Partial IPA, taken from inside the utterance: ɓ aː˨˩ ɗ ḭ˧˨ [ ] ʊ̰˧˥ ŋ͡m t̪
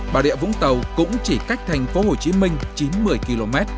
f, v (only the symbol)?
v